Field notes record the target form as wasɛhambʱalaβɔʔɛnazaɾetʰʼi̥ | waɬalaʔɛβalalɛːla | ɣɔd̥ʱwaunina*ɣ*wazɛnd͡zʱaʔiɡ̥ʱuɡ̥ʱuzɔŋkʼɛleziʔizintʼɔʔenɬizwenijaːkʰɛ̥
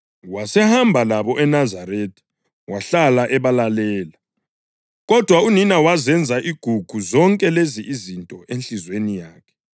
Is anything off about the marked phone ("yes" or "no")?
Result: yes